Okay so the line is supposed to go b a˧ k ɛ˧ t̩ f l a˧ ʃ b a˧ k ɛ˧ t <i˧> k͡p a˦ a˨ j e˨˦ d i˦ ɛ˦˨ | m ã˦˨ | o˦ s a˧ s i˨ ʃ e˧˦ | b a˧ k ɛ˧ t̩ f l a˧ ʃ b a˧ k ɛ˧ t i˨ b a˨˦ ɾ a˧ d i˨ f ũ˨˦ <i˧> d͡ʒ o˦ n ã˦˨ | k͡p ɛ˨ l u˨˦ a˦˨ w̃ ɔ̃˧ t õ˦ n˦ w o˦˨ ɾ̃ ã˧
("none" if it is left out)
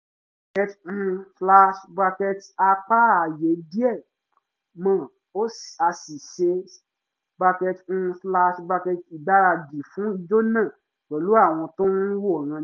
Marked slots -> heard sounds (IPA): a˧, i˧

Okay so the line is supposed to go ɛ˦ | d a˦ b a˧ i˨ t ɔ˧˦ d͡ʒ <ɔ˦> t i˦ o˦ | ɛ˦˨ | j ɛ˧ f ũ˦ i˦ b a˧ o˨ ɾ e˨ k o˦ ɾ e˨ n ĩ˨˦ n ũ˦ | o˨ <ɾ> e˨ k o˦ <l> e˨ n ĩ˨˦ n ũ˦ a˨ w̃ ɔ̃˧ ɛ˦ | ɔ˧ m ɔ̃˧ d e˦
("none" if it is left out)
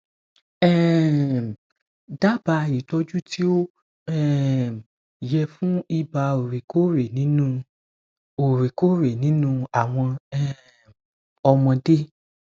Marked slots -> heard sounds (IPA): u˦, ɾ, ɾ

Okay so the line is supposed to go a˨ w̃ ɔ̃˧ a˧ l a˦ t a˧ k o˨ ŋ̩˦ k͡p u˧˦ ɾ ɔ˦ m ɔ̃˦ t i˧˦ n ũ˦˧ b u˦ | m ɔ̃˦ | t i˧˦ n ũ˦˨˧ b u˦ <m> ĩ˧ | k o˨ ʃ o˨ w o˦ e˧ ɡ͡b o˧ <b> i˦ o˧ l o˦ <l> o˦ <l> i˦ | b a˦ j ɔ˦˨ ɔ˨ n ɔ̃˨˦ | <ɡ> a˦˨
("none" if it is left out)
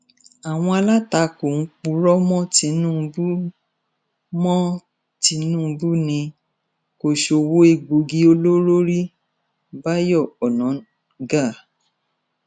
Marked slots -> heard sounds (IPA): n, ɡ, ɾ, ɾ, ɡ

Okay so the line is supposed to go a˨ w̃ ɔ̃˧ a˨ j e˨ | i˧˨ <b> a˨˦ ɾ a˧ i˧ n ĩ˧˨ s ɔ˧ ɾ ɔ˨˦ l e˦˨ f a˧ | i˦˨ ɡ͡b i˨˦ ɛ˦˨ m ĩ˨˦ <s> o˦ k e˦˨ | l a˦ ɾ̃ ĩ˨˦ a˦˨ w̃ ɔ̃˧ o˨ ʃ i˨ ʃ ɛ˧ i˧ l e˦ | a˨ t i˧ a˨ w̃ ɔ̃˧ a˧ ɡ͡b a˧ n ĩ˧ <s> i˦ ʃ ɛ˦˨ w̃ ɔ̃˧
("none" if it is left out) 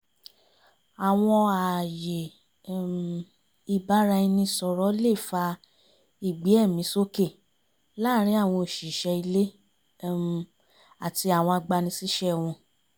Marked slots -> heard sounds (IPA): b, s, s

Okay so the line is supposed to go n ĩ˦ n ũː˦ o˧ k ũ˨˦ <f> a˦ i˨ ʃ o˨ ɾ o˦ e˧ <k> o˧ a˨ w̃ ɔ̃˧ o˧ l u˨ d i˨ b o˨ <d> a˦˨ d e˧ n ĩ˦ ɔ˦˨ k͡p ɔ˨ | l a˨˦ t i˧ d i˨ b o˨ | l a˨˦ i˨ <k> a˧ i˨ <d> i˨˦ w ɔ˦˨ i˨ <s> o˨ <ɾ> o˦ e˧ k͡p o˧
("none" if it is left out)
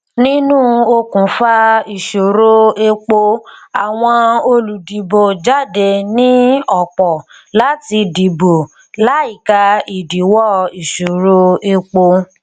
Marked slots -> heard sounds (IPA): f, k͡p, d͡ʒ, k, d, ʃ, ɾ

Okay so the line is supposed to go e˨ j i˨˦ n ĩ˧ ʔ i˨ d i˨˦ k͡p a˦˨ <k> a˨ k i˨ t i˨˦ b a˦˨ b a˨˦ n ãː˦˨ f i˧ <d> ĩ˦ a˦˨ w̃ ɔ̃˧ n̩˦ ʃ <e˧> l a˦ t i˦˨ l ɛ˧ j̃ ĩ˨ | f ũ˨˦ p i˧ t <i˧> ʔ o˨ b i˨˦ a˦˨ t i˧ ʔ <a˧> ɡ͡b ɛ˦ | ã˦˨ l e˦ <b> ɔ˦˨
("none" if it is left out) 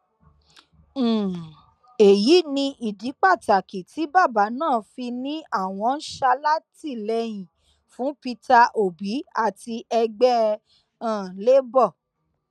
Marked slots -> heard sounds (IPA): t, n, a˧, a˧, ɛ˧, b

